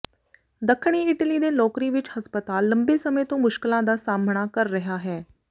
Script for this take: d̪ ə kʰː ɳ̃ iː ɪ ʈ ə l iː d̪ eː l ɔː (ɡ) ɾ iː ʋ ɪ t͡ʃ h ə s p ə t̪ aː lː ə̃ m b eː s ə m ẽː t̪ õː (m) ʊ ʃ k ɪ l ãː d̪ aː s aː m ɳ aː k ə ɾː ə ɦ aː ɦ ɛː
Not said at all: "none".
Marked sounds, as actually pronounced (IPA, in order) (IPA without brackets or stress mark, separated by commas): k, m